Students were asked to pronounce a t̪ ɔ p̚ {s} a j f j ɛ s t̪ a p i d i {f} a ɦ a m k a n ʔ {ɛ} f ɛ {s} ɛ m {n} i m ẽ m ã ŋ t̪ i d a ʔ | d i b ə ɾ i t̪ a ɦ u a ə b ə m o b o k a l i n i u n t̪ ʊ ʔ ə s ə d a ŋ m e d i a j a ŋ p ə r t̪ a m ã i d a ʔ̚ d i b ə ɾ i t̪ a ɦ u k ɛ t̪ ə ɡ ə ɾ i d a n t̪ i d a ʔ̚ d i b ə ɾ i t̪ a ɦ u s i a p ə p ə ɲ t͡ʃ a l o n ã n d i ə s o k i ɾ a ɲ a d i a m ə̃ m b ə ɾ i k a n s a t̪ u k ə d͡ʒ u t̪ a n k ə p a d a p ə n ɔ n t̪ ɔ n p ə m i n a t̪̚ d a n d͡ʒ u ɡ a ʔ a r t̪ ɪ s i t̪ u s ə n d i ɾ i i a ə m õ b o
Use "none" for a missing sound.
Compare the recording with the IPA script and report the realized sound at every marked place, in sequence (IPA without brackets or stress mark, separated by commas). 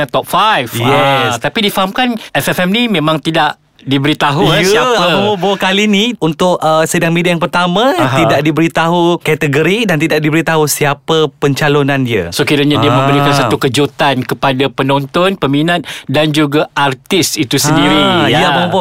f, f, ɛ, f, n